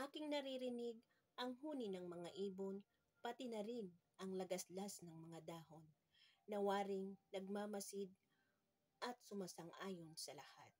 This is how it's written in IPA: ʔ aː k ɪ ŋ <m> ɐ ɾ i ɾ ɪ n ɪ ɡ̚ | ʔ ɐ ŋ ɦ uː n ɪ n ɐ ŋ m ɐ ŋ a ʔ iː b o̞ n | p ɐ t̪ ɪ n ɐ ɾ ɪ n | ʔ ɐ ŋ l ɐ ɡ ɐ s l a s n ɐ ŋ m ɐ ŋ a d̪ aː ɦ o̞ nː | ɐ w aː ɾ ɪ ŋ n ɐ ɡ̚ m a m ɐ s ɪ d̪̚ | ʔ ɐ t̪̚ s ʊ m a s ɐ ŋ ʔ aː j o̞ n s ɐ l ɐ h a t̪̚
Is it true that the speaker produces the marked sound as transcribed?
no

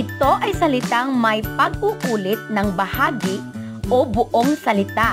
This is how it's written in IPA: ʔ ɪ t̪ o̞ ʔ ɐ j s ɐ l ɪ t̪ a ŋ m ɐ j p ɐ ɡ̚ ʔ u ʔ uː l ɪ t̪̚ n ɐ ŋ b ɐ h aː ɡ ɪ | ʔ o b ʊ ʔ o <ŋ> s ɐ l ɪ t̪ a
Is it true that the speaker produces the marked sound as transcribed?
yes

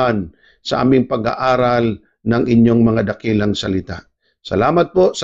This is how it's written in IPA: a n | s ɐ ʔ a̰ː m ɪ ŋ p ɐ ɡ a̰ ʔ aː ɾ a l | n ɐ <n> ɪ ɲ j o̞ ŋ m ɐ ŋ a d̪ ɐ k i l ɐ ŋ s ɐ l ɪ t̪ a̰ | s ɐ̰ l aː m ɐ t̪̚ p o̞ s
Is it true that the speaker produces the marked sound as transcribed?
no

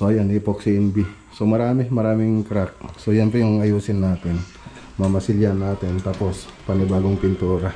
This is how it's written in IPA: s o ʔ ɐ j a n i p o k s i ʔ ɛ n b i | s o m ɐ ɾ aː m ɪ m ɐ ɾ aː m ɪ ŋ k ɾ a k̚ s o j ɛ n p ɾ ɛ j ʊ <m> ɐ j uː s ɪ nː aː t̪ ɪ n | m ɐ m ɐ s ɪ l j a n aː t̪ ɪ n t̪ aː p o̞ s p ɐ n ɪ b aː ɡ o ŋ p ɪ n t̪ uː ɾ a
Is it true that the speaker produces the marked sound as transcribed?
no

